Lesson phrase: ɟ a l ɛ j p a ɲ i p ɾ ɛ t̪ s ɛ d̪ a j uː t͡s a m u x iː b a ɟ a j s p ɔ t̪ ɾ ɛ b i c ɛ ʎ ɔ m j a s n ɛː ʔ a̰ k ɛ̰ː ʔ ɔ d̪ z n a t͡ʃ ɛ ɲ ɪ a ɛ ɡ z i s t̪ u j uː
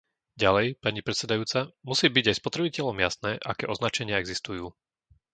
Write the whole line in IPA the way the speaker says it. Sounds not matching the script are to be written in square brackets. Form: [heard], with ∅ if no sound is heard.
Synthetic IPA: ɟ a l ɛ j p a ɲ i p ɾ ɛ t̪ s ɛ d̪ a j uː t͡s a m u [s] iː b [i] ɟ a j s p ɔ t̪ ɾ ɛ b i c ɛ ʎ ɔ m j a s n ɛː ʔ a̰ k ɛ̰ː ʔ ɔ [∅] z n a t͡ʃ ɛ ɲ ɪ a ɛ ɡ z i s t̪ u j uː

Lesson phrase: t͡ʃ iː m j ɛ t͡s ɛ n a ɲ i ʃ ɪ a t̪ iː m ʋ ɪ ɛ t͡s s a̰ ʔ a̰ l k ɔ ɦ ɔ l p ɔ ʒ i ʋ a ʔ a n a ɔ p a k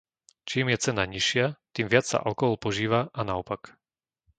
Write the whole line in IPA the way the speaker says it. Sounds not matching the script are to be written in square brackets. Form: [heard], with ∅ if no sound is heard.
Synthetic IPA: t͡ʃ iː m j ɛ t͡s ɛ n a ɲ i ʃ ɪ a t̪ iː m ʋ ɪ [a] t͡s s a̰ ʔ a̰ l k ɔ ɦ ɔ l p ɔ ʒ [iː] ʋ a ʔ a n a ɔ p a k

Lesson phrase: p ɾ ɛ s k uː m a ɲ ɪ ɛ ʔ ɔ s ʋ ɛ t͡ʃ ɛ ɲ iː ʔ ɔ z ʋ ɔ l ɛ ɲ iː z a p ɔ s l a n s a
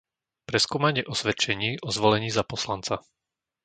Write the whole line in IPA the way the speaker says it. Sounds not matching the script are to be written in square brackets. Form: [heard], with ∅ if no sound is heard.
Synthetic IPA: p ɾ ɛ s k uː m a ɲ ɪ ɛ ʔ ɔ s ʋ ɛ t͡ʃ ɛ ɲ iː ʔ ɔ z ʋ ɔ l ɛ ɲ iː z a p ɔ s l a n [t͡s] a

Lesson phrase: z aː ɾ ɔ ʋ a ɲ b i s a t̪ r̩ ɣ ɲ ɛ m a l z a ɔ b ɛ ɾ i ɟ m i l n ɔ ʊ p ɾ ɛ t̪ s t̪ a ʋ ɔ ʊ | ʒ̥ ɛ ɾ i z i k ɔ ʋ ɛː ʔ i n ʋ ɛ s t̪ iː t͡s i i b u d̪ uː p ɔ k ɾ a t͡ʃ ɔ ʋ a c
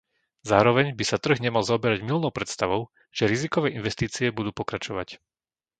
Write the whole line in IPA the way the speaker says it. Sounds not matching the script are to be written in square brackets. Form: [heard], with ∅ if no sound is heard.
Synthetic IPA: z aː ɾ ɔ ʋ [ɛ] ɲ b i s a t̪ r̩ ɣ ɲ ɛ m a l z a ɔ b ɛ ɾ [a] ɟ m i l n ɔ ʊ p ɾ ɛ t̪ s t̪ a ʋ ɔ ʊ | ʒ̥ ɛ ɾ i z i k ɔ ʋ ɛː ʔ i n ʋ ɛ s t̪ iː t͡s i [ɛ] b u d̪ uː p ɔ k ɾ a t͡ʃ ɔ ʋ a c

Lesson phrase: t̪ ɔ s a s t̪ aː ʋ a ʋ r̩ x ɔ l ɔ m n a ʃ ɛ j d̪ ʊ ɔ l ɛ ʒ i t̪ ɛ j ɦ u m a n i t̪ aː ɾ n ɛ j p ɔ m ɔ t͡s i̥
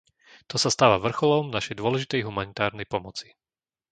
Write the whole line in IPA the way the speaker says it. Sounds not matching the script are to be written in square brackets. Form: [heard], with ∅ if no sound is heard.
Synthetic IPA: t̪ ɔ s a s t̪ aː ʋ a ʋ r̩ x ɔ l ɔ m n a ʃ ɛ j d̪ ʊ ɔ l ɛ ʒ i t̪ ɛ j ɦ u m a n i t̪ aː ɾ n ɛ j p ɔ m ɔ t͡s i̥

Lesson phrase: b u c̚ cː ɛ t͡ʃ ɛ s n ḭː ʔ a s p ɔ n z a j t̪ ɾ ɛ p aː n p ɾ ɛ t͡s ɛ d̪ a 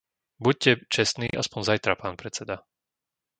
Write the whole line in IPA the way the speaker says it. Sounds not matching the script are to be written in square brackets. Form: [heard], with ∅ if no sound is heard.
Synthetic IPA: b u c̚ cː ɛ t͡ʃ ɛ s n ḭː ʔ a s p ɔ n z a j t̪ ɾ [a] p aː n p ɾ ɛ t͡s ɛ d̪ a

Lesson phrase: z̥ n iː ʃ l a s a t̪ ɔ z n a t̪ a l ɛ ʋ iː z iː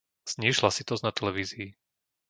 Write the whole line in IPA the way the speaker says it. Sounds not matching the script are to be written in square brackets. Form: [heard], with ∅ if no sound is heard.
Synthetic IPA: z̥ [ɲ] iː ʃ l a s [i] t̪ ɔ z n a t̪ [ɛ] l ɛ ʋ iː z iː

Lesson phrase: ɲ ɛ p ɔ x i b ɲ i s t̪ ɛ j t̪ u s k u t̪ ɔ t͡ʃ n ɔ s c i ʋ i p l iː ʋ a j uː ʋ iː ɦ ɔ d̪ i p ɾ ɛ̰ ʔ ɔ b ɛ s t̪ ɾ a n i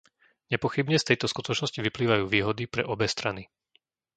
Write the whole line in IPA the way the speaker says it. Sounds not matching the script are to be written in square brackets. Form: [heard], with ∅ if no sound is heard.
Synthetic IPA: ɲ ɛ p ɔ x i b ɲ [ɛ] s t̪ ɛ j t̪ [ɔ] s k u t̪ ɔ t͡ʃ n ɔ s c i ʋ i p l iː ʋ a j uː ʋ iː ɦ ɔ d̪ i p ɾ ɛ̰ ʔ ɔ b ɛ s t̪ ɾ a n i

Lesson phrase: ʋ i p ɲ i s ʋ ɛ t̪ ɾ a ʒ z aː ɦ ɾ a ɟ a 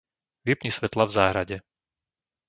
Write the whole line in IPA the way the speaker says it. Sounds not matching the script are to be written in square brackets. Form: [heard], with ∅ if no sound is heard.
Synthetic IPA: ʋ i p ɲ i s ʋ ɛ t̪ [l] a [v] z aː ɦ ɾ a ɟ [ɛ]

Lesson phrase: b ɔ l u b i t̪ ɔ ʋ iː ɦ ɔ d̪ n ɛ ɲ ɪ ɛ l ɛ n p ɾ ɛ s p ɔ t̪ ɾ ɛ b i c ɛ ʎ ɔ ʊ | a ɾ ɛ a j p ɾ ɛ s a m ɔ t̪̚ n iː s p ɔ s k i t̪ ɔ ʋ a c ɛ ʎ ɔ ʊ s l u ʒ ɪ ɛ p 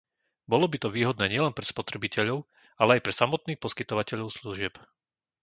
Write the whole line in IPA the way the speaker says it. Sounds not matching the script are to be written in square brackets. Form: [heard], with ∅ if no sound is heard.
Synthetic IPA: b ɔ l [ɔ] b i t̪ ɔ ʋ iː ɦ ɔ d̪ n [ɛː] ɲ ɪ ɛ l ɛ n p ɾ ɛ s p ɔ t̪ ɾ ɛ b i c ɛ ʎ ɔ ʊ | a [l] ɛ a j p ɾ ɛ s a m ɔ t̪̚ n iː [x] p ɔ s k i t̪ ɔ ʋ a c ɛ ʎ ɔ ʊ s l u ʒ ɪ ɛ p

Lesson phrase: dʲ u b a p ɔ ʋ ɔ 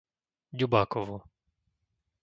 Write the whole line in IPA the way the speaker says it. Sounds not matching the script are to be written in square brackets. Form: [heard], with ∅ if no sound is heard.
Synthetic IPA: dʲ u b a [k] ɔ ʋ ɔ

